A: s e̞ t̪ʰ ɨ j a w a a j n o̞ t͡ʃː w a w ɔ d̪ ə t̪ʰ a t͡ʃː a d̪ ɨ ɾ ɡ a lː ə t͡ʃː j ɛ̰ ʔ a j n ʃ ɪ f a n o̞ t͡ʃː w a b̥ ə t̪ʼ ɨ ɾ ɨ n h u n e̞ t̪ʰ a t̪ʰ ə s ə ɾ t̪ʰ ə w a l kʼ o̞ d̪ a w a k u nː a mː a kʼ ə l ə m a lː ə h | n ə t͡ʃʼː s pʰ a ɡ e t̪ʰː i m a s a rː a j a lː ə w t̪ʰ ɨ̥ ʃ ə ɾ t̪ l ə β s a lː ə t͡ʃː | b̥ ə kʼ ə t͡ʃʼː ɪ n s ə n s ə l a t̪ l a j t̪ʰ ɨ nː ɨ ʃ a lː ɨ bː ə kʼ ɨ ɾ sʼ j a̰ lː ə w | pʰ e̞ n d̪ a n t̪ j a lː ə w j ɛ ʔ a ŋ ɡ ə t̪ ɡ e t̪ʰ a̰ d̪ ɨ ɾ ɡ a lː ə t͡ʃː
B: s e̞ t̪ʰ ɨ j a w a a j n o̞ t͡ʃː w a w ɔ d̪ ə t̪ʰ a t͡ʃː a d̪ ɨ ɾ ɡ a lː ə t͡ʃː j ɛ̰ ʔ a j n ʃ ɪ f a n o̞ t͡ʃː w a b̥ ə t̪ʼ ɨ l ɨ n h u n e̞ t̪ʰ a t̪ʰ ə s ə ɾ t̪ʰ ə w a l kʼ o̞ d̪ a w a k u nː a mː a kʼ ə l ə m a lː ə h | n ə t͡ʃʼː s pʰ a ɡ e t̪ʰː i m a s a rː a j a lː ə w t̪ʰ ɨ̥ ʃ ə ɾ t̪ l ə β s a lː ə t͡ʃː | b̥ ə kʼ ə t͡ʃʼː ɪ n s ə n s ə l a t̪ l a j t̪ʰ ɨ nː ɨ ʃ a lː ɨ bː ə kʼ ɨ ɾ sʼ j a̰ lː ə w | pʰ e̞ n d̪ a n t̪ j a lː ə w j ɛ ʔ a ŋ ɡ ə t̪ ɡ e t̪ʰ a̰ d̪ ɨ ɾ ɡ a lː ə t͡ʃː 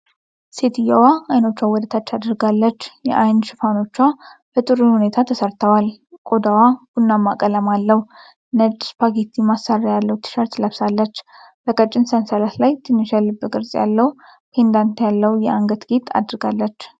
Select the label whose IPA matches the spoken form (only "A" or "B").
A